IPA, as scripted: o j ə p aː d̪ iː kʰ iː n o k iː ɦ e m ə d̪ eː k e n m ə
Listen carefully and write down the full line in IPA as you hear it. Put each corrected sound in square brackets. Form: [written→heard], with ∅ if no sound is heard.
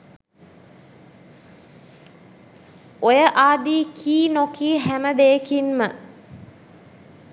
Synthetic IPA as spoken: o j ə [p→ʔ] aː d̪ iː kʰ iː n o k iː ɦ [e→æ] m ə d̪ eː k [e→i] n m ə